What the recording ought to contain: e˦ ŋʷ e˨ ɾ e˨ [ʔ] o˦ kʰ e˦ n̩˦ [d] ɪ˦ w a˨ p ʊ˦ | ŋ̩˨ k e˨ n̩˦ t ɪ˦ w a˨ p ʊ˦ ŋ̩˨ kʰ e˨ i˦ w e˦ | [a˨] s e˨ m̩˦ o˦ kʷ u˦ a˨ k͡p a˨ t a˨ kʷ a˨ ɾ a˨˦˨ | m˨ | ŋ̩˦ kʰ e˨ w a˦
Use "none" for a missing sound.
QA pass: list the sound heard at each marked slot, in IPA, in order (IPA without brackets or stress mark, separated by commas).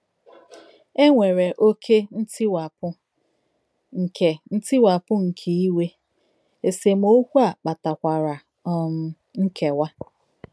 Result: ʔ, t, e˨